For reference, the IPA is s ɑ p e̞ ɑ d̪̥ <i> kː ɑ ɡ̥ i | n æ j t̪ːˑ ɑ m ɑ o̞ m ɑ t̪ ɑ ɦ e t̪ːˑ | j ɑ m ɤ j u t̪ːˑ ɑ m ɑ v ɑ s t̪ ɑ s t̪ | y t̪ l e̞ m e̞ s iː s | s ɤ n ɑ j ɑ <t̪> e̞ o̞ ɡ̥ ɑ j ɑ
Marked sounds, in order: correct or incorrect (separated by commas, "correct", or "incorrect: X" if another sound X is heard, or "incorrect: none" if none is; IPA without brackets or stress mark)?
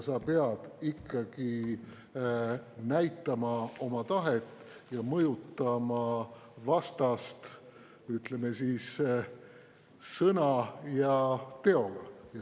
correct, correct